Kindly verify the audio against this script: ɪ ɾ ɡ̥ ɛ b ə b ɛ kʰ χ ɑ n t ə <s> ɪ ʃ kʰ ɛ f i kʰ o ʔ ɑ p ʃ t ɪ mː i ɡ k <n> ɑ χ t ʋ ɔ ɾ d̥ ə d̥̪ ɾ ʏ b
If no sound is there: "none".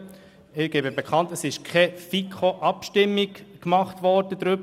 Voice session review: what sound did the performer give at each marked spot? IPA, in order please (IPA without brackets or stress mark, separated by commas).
s, m